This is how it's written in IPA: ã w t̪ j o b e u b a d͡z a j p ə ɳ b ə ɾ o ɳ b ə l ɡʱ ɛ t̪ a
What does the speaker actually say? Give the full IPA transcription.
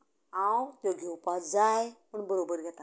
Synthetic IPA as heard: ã w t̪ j o ɡ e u p a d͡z a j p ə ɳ b ə ɾ o b ə ɾ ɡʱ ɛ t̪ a